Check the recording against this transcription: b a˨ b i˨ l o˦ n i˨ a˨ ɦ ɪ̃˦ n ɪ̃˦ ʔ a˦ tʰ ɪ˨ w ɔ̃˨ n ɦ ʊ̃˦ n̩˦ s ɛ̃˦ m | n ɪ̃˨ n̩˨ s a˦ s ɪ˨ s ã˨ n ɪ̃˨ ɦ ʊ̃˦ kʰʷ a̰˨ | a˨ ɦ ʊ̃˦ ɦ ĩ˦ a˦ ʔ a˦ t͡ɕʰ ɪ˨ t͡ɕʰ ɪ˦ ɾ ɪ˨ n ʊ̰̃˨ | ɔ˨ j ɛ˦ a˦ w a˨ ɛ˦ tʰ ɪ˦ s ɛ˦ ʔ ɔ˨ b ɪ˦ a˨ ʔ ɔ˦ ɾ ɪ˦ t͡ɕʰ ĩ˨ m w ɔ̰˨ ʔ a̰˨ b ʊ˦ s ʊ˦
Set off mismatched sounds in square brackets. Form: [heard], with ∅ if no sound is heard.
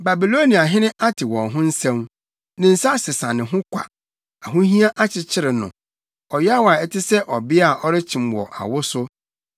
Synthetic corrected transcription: b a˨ b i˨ l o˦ n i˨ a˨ ɦ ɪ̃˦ n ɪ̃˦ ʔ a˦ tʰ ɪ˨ w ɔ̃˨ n ɦ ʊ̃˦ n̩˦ s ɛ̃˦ m | n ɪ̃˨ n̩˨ s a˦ s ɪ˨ s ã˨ n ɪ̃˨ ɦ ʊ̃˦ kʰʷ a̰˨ | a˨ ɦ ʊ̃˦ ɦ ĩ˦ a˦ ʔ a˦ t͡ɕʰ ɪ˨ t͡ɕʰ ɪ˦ ɾ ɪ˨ n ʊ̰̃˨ | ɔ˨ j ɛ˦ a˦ w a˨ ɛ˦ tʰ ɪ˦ s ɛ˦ ʔ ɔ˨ b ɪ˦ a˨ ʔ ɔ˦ ɾ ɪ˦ t͡ɕʰ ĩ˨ m w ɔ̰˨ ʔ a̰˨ [w] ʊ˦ s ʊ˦